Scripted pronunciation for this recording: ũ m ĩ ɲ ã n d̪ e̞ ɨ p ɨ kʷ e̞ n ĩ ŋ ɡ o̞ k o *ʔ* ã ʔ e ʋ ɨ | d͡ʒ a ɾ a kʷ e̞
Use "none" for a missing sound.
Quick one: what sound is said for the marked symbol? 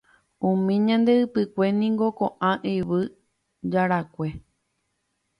ʔ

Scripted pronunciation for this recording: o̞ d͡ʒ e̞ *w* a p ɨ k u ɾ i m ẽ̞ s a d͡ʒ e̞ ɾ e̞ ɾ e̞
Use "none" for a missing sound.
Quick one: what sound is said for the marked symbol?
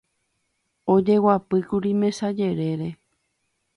w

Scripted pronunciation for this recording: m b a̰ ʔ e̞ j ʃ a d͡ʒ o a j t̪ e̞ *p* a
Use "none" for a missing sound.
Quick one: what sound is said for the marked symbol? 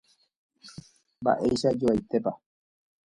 p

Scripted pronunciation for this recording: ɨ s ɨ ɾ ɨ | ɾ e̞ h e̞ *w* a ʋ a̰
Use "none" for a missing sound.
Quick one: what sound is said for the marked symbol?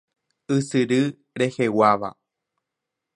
w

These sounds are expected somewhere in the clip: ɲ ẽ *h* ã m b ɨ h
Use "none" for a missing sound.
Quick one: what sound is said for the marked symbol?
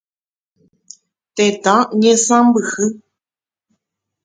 s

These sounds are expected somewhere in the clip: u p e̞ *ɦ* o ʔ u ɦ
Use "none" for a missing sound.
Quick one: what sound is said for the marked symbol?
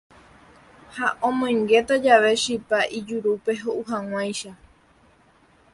ɦ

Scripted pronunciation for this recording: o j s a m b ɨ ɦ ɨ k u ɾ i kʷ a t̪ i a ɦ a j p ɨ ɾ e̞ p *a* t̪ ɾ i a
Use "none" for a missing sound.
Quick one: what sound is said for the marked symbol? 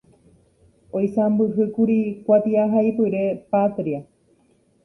a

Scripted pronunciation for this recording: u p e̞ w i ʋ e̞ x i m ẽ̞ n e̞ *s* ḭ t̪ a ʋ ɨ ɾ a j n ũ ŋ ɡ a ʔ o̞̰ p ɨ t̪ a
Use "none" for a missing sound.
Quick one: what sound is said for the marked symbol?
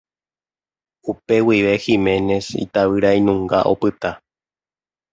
s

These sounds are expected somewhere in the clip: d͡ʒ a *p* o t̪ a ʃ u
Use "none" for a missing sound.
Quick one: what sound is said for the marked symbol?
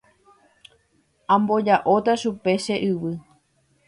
ʔ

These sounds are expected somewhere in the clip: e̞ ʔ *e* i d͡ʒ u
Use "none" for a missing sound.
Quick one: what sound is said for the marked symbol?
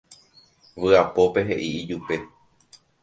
i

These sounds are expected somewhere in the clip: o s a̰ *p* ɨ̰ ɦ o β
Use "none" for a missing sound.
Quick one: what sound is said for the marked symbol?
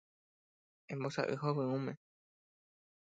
ʔ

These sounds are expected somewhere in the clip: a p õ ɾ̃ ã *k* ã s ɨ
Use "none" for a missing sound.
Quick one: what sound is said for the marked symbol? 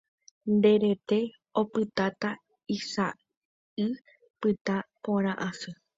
ʔ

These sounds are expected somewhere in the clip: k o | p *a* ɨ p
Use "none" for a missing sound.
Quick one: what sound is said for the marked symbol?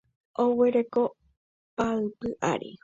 a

